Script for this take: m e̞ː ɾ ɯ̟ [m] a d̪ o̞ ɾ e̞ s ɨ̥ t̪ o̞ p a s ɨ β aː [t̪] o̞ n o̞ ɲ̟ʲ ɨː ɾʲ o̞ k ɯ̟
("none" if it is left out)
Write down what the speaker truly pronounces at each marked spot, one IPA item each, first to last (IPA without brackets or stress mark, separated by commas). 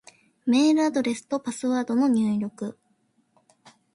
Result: none, d̪